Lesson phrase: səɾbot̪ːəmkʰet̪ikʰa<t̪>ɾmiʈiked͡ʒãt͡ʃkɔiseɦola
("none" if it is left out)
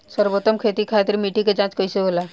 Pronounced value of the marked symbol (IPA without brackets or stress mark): t̪